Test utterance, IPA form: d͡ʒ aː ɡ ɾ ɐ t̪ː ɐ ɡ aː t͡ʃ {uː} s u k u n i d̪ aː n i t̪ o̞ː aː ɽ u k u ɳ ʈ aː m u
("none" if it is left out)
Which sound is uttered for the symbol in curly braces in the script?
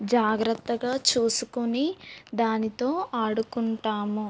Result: uː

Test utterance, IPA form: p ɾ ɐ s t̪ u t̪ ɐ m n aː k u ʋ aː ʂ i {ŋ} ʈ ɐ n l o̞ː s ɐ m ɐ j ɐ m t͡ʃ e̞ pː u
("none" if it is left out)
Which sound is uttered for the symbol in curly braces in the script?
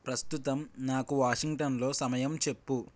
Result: ŋ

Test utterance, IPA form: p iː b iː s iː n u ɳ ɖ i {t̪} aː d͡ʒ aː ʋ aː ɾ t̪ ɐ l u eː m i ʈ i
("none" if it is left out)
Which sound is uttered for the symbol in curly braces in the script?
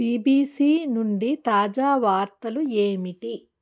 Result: t̪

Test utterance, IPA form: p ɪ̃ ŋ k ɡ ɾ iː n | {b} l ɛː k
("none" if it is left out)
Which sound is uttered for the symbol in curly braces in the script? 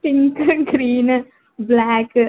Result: b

